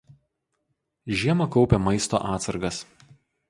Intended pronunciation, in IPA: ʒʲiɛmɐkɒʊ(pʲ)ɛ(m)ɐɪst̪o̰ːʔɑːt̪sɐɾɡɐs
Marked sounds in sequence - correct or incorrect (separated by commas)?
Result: correct, correct